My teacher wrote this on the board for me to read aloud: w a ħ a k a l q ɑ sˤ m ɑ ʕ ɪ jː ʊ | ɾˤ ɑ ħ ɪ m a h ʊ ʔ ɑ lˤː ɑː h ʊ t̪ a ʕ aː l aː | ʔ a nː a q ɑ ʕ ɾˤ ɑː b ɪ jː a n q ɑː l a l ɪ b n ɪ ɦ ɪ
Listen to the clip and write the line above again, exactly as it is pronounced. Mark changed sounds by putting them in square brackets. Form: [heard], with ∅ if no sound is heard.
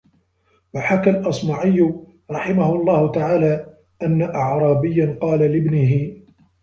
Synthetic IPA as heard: w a ħ a k a l [ʔ] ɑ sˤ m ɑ ʕ ɪ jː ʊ | ɾˤ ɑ ħ ɪ m a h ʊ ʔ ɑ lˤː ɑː h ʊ t̪ a ʕ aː l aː | ʔ a nː a [ʔ] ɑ ʕ ɾˤ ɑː b ɪ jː a n q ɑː l a l ɪ b n ɪ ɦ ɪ